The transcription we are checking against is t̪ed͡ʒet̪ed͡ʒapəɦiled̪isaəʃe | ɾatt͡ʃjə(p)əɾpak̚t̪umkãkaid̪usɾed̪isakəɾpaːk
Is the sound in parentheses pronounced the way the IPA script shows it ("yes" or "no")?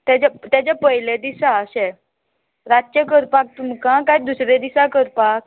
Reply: no